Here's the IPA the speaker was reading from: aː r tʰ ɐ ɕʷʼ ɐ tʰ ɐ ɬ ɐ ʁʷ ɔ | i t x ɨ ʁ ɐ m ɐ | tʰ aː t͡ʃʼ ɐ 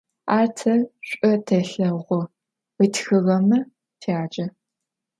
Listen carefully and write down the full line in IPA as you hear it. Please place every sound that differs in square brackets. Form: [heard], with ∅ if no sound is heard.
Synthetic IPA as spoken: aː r tʰ ɐ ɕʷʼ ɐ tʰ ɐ ɬ ɐ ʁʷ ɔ | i t x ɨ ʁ ɐ m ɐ | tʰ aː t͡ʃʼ ɐ